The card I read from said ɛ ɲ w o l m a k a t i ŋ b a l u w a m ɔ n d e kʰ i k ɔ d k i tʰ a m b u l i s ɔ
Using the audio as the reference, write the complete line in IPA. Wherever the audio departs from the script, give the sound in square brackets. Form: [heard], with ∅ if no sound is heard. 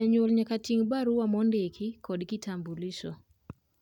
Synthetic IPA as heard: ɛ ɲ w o l [ɲ] a k a t i ŋ b a [ɾ] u w a m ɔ n d e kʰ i k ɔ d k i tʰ a m b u l i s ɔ